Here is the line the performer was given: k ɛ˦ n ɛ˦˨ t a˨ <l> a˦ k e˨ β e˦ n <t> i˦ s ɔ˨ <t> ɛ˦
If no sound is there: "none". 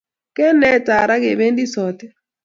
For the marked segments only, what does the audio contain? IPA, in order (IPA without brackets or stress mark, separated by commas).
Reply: ɾ, d, t